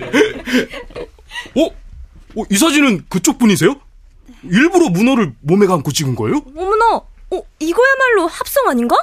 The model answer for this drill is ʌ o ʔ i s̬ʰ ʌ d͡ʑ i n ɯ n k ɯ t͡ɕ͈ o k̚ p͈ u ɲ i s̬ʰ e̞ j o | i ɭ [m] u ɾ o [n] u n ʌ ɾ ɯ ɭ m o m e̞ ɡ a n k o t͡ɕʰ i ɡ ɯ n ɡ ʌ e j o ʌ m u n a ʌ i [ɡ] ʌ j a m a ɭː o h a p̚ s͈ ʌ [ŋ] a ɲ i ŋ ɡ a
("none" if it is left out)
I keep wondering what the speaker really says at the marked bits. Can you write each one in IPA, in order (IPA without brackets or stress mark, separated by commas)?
b, m, ɡ, ŋ